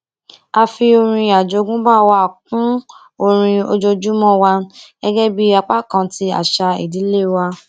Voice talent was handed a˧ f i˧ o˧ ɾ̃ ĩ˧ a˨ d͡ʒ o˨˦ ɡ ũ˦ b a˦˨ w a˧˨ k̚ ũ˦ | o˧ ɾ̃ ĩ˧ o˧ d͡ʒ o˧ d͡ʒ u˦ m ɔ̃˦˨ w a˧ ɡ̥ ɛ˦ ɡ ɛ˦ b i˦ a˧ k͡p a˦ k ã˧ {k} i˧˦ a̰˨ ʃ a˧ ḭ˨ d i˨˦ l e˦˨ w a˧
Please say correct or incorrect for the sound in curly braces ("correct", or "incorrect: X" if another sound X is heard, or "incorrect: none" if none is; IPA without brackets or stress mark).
incorrect: t